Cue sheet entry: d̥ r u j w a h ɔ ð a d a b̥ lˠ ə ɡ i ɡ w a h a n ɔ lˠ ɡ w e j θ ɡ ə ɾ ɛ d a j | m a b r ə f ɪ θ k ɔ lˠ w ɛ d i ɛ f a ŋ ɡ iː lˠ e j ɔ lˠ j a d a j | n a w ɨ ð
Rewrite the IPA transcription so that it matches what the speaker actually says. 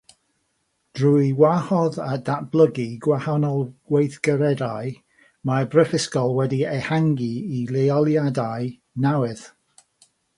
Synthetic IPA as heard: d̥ r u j w a h ɔ ð a d a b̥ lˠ ə ɡ i ɡ w a h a n ɔ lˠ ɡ w e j θ ɡ ə ɾ ɛ d a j | m a b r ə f ɪ s k ɔ lˠ w ɛ d i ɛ h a ŋ ɡ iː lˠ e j ɔ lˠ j a d a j | n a w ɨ ð